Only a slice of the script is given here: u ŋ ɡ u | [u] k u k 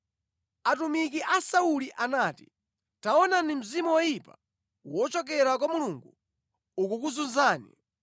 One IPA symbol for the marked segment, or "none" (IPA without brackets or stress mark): u